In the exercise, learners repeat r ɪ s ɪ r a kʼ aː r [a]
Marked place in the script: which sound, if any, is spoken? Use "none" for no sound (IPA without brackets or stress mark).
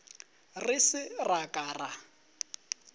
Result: a